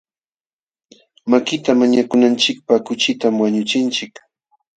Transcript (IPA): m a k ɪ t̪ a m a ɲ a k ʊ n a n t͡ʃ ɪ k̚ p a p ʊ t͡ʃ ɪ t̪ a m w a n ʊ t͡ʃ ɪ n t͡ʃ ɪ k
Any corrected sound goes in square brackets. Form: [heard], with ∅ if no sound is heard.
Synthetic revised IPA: m a k ɪ t̪ a m a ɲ a k ʊ n a n t͡ʃ ɪ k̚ p a [k] ʊ t͡ʃ ɪ t̪ a m w a [ɲ] ʊ t͡ʃ ɪ n t͡ʃ ɪ k

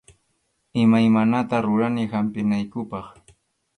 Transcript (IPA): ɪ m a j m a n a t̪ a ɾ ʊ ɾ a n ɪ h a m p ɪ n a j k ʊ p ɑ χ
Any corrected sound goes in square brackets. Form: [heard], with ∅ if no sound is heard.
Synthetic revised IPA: ɪ m a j m a n a t̪ a ɾ ʊ ɾ a n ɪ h a m p ɪ n a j k ʊ p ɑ χ

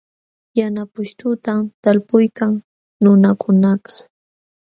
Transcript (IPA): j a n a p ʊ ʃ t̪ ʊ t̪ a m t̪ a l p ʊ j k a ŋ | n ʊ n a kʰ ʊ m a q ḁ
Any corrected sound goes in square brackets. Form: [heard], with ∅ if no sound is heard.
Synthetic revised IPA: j a n a p ʊ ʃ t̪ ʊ t̪ a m t̪ a l p ʊ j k a ŋ | n ʊ n a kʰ ʊ [n] a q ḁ

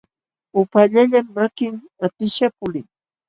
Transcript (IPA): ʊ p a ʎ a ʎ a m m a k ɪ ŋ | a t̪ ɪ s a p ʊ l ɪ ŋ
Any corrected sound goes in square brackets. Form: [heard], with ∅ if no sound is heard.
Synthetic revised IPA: ʊ p a ʎ a ʎ a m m a k ɪ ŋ | a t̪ ɪ [ʃ] a p ʊ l ɪ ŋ

